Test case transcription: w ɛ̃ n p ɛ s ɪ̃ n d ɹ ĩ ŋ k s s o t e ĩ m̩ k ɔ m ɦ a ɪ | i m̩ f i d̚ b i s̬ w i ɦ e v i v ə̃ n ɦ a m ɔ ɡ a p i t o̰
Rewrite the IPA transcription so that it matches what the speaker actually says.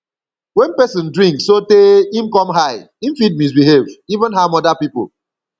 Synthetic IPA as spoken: w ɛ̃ n p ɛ s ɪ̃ n d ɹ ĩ ŋ k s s o t e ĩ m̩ k ɔ m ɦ a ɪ | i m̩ f i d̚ m i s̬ b i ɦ e v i v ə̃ n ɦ a m ɔ d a p i p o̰